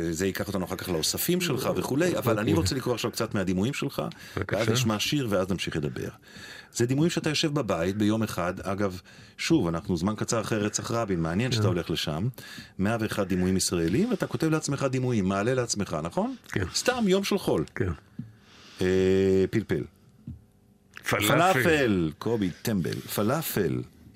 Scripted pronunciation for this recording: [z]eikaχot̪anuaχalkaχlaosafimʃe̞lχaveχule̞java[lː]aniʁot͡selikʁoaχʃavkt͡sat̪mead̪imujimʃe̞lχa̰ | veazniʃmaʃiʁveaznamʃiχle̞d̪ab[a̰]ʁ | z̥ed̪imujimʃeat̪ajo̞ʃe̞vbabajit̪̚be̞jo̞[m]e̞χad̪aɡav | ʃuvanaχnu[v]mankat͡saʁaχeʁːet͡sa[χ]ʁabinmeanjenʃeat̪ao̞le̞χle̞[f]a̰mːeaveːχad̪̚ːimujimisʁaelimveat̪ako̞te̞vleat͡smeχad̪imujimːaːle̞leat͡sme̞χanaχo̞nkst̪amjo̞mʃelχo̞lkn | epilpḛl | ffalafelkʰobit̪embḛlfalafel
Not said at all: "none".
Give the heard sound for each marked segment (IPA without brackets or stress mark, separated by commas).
z, l, ḛ, m, z, χ, ʃ